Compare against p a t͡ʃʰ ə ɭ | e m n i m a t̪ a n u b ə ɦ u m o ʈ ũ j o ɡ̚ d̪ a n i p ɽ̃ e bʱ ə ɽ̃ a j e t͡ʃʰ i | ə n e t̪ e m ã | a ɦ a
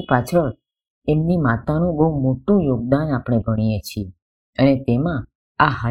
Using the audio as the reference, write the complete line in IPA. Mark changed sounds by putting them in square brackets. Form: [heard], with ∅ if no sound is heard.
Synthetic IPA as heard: p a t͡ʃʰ ə ɭ | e m n i m a t̪ a n [ũ] b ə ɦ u m o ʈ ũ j o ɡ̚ d̪ a n [a] p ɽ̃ e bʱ ə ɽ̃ [i] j e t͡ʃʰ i | ə n e t̪ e m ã | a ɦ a